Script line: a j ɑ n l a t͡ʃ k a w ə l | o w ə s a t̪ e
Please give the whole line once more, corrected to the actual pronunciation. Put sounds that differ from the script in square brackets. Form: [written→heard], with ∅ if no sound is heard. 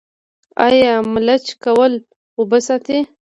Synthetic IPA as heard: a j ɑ [n→m] l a t͡ʃ k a w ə l | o [w→b] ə s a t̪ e